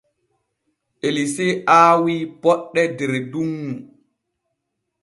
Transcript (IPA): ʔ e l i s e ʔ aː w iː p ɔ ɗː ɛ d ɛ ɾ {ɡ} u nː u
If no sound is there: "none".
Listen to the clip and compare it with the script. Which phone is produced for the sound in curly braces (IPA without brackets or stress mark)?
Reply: d